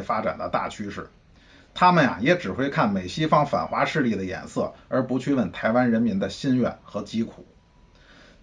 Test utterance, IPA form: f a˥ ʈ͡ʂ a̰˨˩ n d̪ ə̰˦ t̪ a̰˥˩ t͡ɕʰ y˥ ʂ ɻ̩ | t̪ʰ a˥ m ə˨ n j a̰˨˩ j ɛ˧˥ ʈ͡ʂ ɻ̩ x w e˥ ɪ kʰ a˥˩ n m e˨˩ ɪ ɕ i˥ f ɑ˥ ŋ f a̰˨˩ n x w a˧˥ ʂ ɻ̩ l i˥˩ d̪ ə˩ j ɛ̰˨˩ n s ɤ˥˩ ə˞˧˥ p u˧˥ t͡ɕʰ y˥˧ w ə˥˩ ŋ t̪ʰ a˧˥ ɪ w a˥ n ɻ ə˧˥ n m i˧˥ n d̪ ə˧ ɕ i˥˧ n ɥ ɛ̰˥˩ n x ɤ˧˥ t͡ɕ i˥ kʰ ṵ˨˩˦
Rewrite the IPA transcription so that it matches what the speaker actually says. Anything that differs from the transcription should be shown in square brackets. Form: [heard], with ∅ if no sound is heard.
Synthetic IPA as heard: f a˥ ʈ͡ʂ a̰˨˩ n d̪ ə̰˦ t̪ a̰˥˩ t͡ɕʰ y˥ ʂ ɻ̩ | t̪ʰ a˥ m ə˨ n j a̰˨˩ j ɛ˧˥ ʈ͡ʂ ɻ̩ x w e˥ ɪ kʰ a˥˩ n m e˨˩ ɪ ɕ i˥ f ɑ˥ ŋ f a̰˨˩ n x w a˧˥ ʂ ɻ̩ l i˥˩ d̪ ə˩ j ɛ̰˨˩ n s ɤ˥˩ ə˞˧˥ p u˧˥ t͡ɕʰ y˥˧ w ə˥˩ [n] t̪ʰ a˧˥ ɪ w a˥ n ɻ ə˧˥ n m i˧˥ n d̪ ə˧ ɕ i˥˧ n ɥ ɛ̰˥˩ n x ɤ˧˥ t͡ɕ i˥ kʰ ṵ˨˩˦

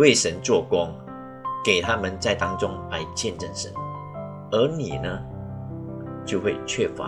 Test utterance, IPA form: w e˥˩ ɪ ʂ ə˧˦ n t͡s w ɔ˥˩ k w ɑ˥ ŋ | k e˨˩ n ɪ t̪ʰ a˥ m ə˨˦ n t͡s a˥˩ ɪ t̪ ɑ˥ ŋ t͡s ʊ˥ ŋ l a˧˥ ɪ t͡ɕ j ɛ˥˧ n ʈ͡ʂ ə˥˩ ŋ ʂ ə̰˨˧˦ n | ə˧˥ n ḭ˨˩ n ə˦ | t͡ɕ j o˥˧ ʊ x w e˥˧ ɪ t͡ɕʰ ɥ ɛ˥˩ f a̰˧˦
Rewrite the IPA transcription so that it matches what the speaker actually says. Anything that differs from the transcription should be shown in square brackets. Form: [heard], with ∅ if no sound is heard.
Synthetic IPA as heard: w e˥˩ ɪ ʂ ə˧˦ n t͡s w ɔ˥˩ k w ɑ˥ ŋ | k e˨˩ [∅] ɪ t̪ʰ a˥ m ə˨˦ n t͡s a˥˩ ɪ t̪ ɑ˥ ŋ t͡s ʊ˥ ŋ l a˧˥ ɪ t͡ɕ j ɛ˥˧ n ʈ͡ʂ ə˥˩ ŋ ʂ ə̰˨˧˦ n | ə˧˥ n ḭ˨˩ n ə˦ | t͡ɕ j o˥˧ ʊ x w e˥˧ ɪ t͡ɕʰ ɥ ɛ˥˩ f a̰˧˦

